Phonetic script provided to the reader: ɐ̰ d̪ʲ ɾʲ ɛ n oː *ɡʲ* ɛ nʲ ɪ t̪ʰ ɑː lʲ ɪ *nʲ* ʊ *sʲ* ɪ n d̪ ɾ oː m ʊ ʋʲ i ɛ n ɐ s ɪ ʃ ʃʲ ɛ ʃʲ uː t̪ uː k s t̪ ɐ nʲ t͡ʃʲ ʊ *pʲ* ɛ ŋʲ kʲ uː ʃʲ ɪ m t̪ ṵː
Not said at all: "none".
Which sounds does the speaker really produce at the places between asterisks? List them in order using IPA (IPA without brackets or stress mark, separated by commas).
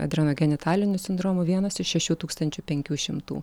ɡʲ, nʲ, sʲ, pʲ